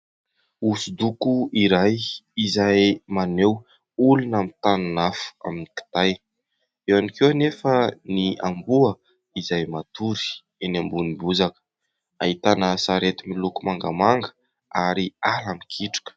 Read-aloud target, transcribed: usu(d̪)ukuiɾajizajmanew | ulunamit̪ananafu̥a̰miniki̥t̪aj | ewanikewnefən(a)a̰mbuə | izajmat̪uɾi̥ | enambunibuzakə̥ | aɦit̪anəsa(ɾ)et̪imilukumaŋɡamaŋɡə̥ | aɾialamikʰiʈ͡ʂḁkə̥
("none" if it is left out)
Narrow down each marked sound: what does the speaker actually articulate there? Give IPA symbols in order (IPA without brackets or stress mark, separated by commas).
d̪, i, ɾ